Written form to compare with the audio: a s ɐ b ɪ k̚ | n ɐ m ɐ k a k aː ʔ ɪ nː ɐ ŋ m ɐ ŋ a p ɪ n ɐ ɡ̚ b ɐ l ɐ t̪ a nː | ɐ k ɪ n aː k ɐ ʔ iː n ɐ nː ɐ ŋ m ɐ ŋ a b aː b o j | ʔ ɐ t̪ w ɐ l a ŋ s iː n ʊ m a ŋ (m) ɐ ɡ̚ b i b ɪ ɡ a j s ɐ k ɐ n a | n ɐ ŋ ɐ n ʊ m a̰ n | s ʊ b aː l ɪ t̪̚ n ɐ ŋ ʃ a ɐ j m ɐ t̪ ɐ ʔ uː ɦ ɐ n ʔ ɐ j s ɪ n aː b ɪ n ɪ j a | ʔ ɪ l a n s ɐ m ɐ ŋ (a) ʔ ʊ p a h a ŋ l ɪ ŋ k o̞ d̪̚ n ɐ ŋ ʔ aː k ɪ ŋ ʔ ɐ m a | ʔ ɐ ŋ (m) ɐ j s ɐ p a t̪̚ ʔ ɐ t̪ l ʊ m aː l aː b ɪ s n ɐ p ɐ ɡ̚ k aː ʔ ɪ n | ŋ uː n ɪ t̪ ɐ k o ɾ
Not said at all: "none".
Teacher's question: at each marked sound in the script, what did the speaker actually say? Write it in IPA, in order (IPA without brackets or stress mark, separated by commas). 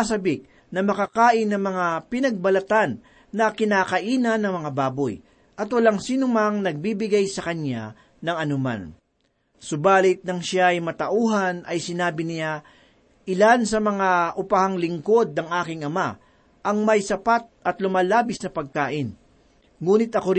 n, a, m